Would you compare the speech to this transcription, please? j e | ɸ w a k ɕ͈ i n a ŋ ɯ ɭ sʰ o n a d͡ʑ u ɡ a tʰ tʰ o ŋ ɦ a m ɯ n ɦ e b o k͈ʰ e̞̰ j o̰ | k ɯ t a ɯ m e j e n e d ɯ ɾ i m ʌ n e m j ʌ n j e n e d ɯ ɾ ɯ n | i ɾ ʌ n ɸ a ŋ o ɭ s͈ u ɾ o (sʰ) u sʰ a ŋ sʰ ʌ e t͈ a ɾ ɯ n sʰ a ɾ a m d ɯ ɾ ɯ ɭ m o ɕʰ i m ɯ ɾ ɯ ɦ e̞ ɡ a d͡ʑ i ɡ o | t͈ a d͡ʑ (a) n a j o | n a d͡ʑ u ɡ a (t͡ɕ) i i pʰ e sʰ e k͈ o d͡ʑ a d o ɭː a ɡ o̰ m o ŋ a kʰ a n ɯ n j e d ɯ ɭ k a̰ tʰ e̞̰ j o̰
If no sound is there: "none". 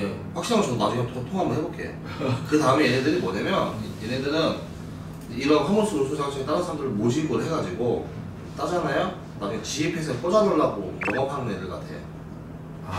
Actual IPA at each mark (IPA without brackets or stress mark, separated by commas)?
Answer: sʰ, a, t͡ɕ